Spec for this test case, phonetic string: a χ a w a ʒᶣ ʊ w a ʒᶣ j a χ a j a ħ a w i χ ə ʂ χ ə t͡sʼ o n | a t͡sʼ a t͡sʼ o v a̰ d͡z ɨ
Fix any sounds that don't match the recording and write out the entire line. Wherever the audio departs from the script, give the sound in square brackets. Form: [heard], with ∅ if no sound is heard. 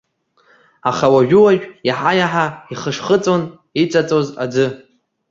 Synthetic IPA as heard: a χ a w a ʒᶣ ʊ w a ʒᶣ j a [ħ] a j a ħ a [∅] i χ ə ʂ χ ə t͡sʼ o n | [i] t͡sʼ a t͡sʼ o [z] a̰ d͡z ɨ